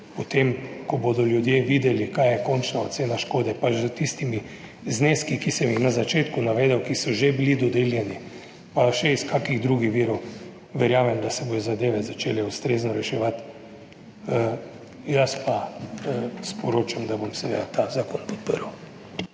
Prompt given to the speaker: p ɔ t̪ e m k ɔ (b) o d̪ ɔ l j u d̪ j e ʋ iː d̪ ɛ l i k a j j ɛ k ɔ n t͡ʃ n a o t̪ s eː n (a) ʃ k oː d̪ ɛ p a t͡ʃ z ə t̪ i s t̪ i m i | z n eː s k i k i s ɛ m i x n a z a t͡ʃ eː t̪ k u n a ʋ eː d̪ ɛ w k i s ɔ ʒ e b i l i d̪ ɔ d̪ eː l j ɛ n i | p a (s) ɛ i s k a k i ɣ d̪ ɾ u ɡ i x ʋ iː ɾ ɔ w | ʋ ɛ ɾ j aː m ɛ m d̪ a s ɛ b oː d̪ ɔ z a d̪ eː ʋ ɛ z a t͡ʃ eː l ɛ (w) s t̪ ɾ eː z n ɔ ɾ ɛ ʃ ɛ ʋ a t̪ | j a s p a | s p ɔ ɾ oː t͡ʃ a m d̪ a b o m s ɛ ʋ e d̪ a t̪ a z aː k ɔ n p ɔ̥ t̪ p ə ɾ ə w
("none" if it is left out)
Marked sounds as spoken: b, a, ʃ, u

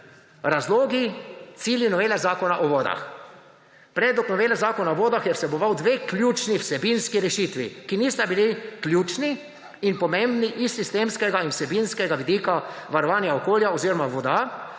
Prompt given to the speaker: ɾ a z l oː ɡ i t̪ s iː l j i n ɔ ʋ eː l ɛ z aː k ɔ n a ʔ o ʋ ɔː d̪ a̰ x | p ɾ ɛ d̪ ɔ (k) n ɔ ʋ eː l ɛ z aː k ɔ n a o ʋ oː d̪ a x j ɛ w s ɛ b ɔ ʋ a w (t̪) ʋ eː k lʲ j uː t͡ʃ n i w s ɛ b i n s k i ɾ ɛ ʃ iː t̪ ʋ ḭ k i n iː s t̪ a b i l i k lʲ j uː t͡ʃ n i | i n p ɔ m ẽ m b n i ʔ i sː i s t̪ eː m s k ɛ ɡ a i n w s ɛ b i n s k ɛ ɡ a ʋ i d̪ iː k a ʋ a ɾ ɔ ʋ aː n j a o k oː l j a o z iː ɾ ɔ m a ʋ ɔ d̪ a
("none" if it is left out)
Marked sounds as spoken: k, d̪

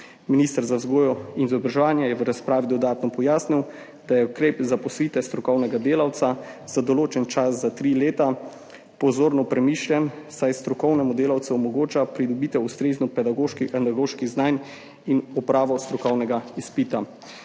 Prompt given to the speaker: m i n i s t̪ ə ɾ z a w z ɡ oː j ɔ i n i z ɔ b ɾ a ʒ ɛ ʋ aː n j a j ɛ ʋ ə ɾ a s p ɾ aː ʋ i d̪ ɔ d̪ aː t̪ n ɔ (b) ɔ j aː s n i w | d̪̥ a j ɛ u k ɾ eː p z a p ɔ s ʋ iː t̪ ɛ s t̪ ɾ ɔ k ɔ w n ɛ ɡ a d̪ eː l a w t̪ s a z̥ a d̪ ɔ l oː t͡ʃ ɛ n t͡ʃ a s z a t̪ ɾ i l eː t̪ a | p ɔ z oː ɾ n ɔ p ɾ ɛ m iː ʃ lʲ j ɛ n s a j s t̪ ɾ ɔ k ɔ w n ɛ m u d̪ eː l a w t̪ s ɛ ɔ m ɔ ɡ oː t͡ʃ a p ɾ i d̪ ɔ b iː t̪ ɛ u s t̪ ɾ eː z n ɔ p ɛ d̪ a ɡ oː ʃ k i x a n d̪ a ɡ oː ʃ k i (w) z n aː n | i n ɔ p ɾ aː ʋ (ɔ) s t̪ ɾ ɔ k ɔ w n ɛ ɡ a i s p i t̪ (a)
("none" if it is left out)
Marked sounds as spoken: p, ɣ, ɔ, a

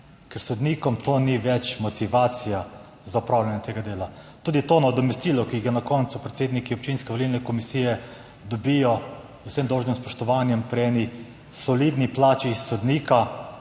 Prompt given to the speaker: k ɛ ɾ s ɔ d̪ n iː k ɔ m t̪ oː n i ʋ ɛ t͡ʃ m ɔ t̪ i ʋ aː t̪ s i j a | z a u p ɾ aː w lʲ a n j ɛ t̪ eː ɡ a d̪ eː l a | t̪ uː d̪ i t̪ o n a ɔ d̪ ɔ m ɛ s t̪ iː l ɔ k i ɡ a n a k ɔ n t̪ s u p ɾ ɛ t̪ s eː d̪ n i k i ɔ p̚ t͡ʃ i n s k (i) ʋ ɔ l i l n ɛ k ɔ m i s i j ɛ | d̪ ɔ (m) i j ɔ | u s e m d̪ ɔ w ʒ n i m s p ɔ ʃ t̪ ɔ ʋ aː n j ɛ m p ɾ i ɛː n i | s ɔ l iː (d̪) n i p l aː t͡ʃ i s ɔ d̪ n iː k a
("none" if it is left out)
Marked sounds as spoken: ɛ, b, d̪

